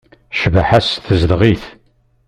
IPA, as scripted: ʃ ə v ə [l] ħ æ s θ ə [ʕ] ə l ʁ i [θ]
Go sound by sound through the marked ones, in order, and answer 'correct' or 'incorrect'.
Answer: incorrect: none, incorrect: z, correct

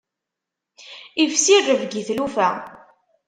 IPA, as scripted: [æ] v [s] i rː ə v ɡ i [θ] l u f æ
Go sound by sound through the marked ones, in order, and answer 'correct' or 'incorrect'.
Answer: incorrect: i, correct, correct

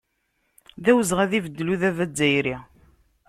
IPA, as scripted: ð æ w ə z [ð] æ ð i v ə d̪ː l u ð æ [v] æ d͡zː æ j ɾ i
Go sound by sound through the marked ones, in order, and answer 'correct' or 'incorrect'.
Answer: incorrect: ʁ, correct

